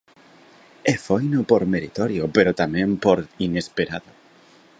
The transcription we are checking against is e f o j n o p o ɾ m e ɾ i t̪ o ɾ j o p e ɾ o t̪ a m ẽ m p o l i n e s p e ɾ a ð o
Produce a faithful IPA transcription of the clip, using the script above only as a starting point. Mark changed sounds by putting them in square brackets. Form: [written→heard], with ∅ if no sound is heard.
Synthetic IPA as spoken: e f o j n o p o ɾ m e ɾ i t̪ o ɾ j o p e ɾ o t̪ a m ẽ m p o [l→ɾ] i n e s p e ɾ a ð o